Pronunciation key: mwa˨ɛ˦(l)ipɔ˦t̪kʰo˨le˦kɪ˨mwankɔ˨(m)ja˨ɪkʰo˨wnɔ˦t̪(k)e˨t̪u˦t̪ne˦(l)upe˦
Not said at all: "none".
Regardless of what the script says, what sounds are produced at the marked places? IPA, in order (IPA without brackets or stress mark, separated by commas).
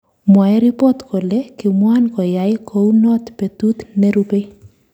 ɾ, none, p, ɾ